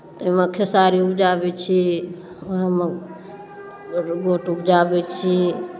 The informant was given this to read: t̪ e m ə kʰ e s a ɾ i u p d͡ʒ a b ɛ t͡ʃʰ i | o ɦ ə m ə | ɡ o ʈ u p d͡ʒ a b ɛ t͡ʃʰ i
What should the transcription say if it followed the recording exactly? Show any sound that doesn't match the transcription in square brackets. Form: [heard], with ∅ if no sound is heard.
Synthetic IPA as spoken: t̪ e m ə kʰ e s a ɾ i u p d͡ʒ a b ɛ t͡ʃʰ i | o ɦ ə m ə | ɡ o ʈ u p d͡ʒ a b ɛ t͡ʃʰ i